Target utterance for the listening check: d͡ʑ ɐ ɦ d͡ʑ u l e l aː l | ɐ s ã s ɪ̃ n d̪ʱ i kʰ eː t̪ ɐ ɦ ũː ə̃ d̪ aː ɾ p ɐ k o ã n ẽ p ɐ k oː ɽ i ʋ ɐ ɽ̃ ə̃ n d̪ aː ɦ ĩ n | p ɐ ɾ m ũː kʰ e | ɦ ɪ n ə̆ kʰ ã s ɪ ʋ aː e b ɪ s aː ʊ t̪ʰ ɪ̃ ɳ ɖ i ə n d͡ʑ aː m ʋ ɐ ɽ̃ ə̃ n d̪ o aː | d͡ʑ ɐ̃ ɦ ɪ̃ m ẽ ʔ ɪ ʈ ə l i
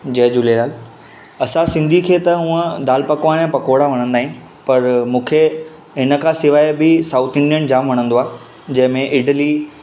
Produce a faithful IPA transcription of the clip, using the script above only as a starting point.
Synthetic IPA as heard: d͡ʑ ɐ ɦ d͡ʑ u l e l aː l | ɐ s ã s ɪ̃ n d̪ʱ i kʰ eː t̪ ɐ ɦ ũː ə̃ d̪ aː l p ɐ k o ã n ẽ p ɐ k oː ɽ a ʋ ɐ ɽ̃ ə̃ n d̪ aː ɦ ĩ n | p ɐ ɾ m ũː kʰ e | ɦ ɪ n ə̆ kʰ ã s ɪ ʋ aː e b ɪ s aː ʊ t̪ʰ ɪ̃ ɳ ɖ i ə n d͡ʑ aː m ʋ ɐ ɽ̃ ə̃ n d̪ o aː | d͡ʑ ɐ̃ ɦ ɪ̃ m ẽ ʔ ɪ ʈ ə l i